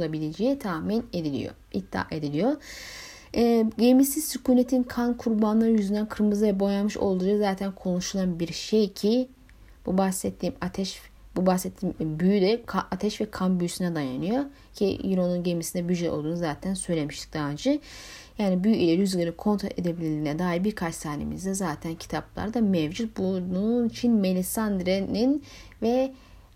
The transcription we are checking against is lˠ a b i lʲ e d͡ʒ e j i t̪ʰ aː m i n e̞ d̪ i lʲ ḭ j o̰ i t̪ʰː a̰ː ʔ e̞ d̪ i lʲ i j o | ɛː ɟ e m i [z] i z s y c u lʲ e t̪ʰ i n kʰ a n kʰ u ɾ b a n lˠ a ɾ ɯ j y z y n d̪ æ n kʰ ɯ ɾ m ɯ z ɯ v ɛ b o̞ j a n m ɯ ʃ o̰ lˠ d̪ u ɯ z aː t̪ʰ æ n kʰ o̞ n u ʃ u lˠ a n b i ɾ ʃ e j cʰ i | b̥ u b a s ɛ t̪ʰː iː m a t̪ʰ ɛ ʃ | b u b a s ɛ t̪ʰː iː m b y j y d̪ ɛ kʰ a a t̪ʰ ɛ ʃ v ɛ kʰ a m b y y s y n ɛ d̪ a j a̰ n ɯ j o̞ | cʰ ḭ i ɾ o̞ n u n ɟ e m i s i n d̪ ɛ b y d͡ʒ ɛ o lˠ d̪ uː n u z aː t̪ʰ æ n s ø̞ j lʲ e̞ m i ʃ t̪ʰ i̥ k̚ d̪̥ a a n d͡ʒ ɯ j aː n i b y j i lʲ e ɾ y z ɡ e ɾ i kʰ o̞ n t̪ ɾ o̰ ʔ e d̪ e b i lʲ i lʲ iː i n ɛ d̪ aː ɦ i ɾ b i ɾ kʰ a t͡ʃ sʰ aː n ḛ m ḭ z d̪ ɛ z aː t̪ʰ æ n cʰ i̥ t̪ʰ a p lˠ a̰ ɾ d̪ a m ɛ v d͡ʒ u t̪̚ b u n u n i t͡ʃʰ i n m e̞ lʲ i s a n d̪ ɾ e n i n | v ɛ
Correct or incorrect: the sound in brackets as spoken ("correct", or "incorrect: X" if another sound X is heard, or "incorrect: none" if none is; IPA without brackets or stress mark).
incorrect: s